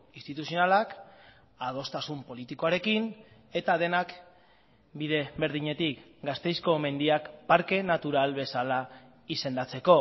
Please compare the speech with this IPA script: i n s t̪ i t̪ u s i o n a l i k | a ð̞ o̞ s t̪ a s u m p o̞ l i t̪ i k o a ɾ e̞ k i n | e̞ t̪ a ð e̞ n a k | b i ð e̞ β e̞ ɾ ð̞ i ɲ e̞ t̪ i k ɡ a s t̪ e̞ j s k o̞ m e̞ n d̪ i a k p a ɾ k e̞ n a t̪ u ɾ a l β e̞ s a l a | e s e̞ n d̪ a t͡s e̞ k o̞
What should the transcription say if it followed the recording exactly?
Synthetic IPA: i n s t̪ i t̪ u s i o n a l a k | a ð̞ o̞ s t̪ a s u m p o̞ l i t̪ i k o a ɾ e̞ k i n | e̞ t̪ a ð e̞ n a k | b i ð e̞ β e̞ ɾ ð̞ i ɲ e̞ t̪ i k ɡ a s t̪ e̞ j s k o̞ m e̞ n d̪ i a k p a ɾ k e̞ n a t̪ u ɾ a l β e̞ s a l a | i s e̞ n d̪ a t͡s e̞ k o̞